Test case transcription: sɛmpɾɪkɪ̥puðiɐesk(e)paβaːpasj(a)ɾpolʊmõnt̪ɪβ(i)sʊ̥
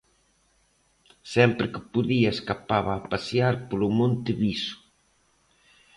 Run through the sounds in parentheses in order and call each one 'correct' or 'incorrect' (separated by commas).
incorrect, correct, correct